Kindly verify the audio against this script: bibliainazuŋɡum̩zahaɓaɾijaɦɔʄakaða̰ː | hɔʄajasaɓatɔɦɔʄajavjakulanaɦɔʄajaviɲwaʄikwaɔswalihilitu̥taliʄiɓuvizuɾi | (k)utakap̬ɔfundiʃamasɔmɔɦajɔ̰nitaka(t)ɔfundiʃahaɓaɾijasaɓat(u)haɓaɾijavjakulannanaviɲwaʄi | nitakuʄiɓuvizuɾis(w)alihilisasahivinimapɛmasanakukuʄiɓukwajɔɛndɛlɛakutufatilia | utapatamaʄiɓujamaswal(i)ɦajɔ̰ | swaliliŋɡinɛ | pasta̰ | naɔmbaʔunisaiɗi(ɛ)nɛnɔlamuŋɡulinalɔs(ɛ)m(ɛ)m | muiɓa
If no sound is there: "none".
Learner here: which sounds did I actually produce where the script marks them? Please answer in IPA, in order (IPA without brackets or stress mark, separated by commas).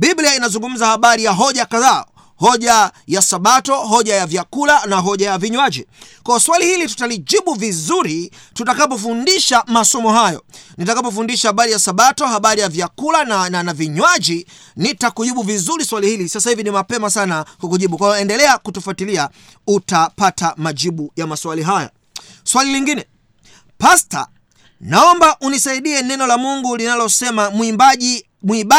t, p, ɔ, w, i, ɛ, ɛ, a